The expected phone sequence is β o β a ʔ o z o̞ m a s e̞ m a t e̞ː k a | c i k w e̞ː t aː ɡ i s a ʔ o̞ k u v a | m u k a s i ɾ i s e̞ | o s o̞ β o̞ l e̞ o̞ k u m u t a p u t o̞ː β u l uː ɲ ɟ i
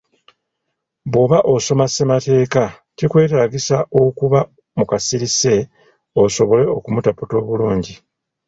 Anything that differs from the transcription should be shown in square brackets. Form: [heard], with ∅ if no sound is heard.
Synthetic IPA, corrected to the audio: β o β a ʔ o [s] o̞ m a s e̞ m a t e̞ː k a | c i k w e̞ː t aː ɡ i s a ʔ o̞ k u [β] a | m u k a s i ɾ i s e̞ | o s o̞ β o̞ l e̞ o̞ k u m u t a p u t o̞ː β u l uː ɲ ɟ i